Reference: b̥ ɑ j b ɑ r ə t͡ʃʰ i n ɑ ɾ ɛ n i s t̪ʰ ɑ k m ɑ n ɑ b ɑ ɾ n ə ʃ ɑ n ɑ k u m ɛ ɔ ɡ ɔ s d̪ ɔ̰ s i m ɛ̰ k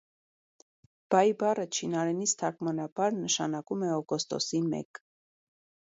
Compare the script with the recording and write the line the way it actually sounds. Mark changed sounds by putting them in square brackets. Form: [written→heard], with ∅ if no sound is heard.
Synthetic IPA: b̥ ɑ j b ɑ r ə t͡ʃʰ i n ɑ ɾ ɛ n i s t̪ʰ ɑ k m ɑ n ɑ b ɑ ɾ n ə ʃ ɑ n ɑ k u m ɛ ɔ ɡ ɔ s [d̪→t̪] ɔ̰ s i m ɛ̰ k